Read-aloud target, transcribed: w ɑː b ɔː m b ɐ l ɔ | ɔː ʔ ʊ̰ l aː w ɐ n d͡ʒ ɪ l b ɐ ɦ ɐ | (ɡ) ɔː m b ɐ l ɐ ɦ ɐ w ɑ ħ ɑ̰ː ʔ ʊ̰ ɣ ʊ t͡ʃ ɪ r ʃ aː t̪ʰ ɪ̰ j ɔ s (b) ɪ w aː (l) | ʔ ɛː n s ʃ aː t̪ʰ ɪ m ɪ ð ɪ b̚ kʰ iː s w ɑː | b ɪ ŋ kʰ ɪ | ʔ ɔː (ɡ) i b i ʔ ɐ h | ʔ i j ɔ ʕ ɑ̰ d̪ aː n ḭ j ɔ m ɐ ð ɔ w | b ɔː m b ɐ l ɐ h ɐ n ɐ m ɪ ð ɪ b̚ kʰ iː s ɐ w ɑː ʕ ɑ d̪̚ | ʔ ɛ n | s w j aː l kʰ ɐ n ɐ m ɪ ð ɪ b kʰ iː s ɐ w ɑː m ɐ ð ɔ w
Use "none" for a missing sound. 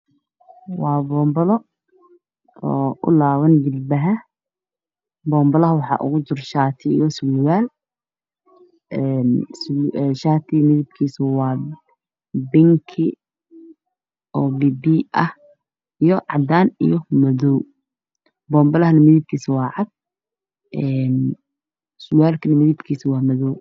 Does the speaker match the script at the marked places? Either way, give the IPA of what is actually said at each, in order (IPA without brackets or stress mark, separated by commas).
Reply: b, w, l, b